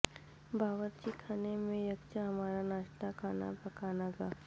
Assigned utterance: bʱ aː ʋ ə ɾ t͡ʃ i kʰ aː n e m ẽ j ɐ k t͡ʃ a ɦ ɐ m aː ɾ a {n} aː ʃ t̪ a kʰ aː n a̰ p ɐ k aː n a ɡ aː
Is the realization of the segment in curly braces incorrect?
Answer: no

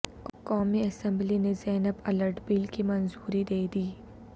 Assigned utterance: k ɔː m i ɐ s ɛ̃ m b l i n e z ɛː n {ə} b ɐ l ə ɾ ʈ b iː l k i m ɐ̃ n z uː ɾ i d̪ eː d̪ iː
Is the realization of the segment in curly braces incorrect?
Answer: no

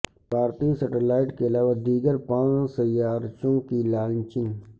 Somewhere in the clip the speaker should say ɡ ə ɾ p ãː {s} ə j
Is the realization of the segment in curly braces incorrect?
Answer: no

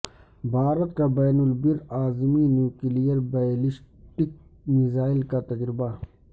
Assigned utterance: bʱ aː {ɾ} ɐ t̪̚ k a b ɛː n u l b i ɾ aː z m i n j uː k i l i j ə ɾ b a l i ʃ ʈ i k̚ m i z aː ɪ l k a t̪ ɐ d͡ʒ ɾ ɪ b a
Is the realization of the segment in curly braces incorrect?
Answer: no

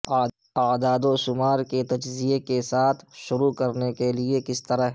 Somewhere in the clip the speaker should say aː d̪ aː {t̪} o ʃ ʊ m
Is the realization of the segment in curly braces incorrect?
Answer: yes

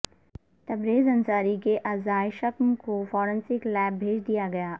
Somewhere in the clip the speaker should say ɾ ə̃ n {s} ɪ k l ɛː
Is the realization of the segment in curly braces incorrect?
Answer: no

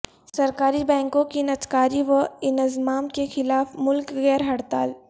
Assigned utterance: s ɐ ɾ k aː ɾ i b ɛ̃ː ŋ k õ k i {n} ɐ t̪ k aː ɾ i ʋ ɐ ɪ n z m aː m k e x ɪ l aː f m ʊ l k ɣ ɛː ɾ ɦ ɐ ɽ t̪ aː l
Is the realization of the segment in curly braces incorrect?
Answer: no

